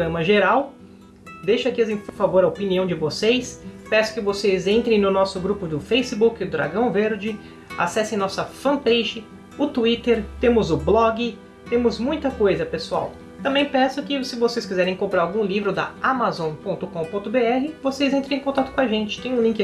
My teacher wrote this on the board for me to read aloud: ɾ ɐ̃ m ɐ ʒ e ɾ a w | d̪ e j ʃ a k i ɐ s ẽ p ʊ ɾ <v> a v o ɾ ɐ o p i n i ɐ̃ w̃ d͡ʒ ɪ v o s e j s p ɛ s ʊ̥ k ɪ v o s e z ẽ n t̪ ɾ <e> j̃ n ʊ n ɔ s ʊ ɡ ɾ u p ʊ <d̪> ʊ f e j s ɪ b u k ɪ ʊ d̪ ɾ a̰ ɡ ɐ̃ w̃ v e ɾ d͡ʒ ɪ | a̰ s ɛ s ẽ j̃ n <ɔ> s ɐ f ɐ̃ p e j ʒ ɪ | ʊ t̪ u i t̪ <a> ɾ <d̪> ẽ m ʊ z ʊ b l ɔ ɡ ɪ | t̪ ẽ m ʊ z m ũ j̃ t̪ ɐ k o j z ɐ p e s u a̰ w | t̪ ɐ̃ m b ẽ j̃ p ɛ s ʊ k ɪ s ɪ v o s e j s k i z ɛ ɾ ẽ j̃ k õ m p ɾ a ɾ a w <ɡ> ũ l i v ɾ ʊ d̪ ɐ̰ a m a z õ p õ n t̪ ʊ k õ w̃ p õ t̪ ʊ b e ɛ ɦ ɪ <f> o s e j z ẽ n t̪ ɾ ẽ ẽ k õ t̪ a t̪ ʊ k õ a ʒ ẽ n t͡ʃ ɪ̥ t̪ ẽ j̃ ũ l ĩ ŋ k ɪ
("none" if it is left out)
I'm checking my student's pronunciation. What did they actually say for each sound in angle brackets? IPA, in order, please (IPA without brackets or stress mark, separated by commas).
f, ẽ, d̪, ɔ, e, t̪, ɡ, v